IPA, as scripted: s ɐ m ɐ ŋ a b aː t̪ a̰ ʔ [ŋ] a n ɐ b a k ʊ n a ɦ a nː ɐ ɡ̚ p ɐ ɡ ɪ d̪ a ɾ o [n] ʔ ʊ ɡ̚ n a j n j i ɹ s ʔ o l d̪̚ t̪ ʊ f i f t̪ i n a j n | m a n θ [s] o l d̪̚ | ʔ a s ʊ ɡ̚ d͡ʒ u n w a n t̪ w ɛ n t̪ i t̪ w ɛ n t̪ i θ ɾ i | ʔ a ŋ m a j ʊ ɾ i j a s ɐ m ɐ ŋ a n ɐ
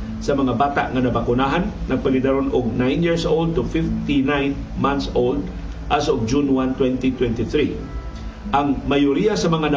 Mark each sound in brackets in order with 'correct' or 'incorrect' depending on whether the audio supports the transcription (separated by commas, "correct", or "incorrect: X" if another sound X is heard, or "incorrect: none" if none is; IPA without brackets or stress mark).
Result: correct, correct, correct